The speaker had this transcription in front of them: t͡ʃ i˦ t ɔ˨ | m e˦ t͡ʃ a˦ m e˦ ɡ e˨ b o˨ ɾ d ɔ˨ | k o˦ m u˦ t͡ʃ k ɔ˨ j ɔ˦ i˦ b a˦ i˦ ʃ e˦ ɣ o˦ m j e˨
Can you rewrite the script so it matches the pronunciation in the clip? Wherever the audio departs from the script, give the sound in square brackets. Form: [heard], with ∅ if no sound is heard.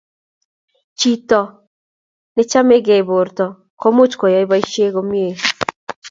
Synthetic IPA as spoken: t͡ʃ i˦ t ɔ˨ | [n] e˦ t͡ʃ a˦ m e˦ ɡ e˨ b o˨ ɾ [t] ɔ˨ | k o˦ m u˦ t͡ʃ k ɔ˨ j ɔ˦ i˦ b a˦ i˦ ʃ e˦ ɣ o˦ m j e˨